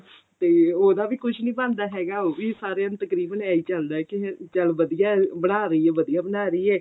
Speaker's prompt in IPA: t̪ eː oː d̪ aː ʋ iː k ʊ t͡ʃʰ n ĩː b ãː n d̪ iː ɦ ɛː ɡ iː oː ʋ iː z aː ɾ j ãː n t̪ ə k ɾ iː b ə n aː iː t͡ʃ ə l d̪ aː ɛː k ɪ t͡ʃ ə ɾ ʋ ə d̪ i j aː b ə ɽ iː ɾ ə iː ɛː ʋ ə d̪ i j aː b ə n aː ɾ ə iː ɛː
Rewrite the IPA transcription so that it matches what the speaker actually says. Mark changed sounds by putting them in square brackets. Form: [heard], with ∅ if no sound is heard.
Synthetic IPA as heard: t̪ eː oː d̪ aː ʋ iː k ʊ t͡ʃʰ n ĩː b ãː n d̪ [aː] ɦ ɛː ɡ [aː] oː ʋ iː [s] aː ɾ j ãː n t̪ ə k ɾ iː b ə n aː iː t͡ʃ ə l d̪ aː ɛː k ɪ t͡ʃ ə [l] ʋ ə d̪ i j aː b ə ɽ [aː] ɾ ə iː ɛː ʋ ə d̪ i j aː b ə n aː ɾ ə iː ɛː